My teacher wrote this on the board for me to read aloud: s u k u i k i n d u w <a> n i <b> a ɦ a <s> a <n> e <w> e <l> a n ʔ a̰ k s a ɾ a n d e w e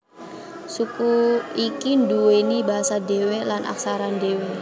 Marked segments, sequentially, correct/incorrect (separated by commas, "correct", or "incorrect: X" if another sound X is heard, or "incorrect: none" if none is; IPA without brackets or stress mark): incorrect: e, correct, correct, incorrect: d, correct, correct